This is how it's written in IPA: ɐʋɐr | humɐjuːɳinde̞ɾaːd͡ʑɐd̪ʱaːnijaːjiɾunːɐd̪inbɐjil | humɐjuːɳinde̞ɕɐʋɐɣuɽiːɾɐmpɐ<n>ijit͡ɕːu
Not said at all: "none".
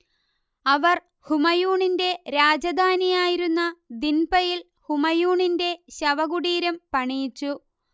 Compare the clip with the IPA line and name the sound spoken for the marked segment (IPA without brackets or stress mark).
ɳ